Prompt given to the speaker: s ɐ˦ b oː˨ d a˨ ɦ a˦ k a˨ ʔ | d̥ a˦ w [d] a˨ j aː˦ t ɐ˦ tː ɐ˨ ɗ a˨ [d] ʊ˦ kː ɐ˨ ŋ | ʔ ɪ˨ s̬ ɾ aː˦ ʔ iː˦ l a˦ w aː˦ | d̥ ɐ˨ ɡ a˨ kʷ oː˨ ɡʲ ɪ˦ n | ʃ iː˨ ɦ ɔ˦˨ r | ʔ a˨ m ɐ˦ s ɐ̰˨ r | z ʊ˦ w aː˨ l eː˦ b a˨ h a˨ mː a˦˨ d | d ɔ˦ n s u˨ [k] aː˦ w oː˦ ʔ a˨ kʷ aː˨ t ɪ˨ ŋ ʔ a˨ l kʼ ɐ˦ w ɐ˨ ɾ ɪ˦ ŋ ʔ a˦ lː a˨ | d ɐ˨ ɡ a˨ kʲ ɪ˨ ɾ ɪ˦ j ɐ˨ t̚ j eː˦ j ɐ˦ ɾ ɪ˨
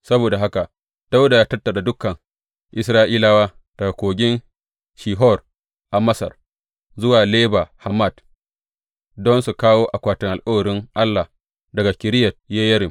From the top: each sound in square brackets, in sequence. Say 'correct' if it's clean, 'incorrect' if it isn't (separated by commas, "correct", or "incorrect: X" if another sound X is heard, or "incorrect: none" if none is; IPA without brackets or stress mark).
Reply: correct, correct, correct